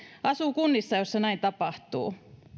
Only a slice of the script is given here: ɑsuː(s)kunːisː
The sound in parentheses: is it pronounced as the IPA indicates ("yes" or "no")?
no